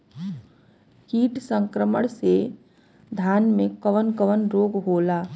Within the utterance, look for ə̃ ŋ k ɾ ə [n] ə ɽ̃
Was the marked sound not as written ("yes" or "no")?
yes